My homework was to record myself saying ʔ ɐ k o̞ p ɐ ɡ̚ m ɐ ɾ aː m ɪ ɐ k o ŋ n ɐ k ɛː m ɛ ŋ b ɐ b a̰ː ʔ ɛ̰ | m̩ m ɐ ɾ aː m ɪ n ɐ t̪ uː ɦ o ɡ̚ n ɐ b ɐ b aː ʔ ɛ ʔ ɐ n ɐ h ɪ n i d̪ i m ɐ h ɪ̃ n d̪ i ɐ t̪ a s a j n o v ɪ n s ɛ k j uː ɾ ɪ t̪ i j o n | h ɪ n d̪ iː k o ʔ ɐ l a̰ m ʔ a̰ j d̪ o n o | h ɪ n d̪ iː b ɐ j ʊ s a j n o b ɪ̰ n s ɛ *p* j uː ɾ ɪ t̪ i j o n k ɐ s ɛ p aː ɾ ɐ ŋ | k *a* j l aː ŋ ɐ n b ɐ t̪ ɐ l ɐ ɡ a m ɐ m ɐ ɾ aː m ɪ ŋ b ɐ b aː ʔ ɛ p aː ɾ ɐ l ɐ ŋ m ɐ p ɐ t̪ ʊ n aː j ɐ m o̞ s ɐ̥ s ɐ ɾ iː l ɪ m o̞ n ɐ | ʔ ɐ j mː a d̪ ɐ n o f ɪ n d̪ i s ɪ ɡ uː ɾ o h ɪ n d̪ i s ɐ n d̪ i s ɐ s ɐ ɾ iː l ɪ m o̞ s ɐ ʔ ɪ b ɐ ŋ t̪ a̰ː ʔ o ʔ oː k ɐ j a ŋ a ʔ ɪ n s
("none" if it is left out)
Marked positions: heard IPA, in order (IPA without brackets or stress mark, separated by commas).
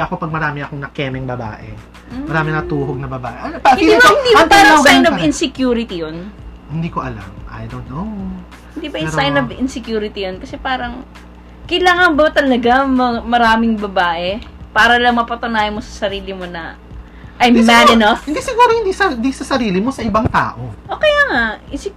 k, ɐ